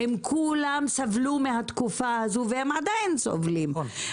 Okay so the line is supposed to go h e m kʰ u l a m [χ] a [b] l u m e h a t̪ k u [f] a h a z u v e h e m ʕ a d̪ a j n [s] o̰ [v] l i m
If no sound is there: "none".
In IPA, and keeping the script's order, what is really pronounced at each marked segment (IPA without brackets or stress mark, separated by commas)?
s, v, f, s, v